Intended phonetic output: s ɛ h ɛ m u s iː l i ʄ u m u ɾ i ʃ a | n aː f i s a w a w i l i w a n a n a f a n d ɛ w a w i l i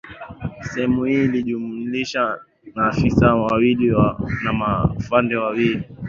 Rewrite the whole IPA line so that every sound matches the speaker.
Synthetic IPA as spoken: s ɛ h ɛ m u h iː l i ʄ u m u l i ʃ a | n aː f i s a w a w i l i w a n a m a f a n d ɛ w a w i l i